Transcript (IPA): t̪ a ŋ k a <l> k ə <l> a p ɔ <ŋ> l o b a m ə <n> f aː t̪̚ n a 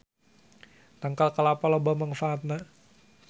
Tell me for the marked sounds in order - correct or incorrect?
correct, correct, incorrect: none, incorrect: ŋ

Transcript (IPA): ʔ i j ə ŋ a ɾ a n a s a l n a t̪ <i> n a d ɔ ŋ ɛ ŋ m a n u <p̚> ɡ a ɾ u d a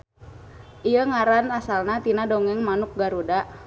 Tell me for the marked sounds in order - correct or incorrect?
correct, incorrect: k̚

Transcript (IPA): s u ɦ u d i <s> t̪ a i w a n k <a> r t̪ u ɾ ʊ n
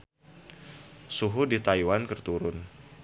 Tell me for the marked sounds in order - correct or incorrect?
incorrect: none, incorrect: ə

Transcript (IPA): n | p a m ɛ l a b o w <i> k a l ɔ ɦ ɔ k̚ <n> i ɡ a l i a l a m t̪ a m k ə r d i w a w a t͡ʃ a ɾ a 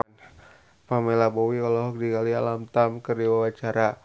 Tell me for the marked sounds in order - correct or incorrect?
correct, incorrect: d

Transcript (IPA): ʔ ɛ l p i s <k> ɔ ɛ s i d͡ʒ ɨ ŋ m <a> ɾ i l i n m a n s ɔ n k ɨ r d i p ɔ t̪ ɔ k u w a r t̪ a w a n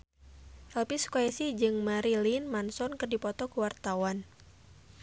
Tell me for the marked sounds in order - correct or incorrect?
correct, correct

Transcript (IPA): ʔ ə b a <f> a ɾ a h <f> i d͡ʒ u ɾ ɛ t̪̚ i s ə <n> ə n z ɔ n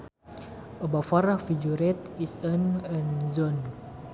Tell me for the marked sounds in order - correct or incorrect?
correct, correct, correct

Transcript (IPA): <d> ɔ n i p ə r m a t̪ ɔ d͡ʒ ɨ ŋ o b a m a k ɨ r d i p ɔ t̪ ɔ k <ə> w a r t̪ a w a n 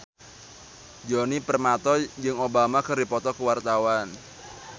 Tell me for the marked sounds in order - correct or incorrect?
incorrect: d͡ʒ, correct

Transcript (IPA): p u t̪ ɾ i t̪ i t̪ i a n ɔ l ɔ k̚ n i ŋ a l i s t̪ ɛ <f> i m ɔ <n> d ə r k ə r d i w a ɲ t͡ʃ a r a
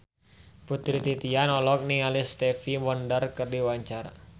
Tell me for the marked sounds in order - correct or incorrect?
correct, correct

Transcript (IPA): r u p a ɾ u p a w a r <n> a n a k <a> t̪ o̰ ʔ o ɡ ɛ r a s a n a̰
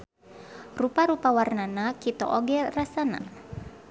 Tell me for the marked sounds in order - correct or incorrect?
correct, incorrect: i

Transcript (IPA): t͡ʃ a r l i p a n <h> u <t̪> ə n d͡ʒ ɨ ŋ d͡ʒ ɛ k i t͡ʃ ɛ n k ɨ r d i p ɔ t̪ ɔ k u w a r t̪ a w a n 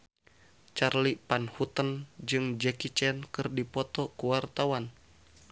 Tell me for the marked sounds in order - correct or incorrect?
correct, correct

